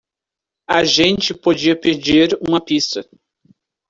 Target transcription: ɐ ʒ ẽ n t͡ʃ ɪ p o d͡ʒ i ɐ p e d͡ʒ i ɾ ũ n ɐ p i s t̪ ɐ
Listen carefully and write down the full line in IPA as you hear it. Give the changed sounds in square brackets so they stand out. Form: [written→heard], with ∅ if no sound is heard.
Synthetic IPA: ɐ ʒ ẽ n t͡ʃ ɪ p o d͡ʒ i ɐ p e d͡ʒ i ɾ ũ [n→m] ɐ p i s t̪ ɐ